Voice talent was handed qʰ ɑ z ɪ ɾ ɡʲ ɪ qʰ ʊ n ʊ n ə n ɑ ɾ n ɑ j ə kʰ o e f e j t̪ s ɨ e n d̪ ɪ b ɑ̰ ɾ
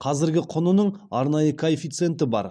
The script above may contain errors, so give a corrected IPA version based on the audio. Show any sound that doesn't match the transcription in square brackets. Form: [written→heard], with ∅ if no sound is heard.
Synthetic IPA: qʰ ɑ z ɪ ɾ ɡʲ ɪ qʰ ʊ n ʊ n ə [n→ɴ] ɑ ɾ n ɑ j ə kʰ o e f [e→i] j t̪ s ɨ e n [d̪→t̪] ɪ b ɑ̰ ɾ